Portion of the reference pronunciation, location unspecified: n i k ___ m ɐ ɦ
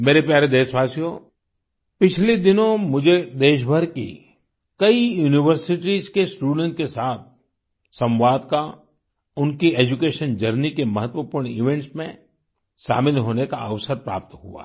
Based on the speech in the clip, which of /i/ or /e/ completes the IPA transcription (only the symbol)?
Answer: e